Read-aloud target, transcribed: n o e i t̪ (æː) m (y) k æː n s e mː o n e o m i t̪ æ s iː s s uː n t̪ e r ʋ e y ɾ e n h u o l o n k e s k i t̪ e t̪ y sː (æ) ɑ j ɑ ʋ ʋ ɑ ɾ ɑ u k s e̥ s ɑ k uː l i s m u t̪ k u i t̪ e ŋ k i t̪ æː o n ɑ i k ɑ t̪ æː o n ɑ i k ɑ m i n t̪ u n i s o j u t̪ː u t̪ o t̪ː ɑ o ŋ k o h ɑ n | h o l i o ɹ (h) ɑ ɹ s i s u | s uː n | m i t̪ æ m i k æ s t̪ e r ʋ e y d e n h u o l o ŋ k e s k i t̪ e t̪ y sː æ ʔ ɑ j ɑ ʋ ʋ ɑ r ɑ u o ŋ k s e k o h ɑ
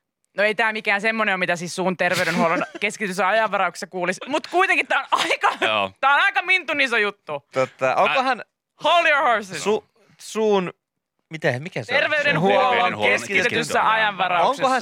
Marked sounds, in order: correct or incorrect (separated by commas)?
correct, incorrect, correct, correct